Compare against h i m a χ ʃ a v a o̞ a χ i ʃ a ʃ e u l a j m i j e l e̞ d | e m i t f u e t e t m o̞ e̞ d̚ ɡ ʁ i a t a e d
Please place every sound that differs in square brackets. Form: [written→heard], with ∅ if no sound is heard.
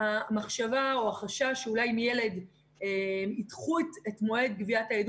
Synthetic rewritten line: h [i→a] m a χ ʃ a v a o̞ a χ [i→a] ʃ a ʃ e u l a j m i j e l e̞ d | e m i t [f→χ] u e t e t m o̞ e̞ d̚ ɡ [ʁ→v] i a t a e d